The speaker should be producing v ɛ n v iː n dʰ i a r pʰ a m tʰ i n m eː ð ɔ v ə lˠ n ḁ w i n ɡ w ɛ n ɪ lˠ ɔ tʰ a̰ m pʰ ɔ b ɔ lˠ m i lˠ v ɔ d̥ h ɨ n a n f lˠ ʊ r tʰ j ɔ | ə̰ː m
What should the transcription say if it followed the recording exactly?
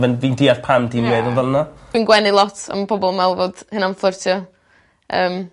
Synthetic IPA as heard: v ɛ n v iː n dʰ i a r pʰ a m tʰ i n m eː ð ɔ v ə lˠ n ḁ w i n ɡ w ɛ n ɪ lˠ ɔ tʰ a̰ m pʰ ɔ b ɔ lˠ m ɛ lˠ v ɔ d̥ h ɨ n a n f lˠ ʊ r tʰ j ɔ | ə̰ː m